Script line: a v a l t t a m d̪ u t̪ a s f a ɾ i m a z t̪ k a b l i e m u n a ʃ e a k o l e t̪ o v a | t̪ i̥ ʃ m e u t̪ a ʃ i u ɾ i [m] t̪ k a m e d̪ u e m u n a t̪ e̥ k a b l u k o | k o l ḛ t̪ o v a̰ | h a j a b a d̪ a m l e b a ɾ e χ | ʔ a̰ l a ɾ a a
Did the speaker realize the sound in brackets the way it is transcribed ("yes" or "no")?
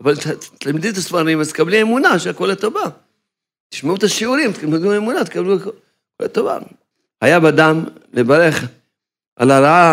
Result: yes